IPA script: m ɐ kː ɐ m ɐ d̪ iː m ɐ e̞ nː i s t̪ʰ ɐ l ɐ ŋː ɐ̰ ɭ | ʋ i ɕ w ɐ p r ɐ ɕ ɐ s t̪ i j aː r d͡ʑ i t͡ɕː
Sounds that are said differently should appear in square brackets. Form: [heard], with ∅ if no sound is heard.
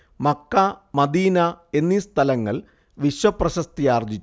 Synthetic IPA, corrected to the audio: m ɐ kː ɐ m ɐ d̪ iː [n] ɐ e̞ nː i s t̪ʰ ɐ l ɐ ŋː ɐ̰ ɭ | ʋ i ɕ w ɐ p r ɐ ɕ ɐ s t̪ i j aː r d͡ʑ i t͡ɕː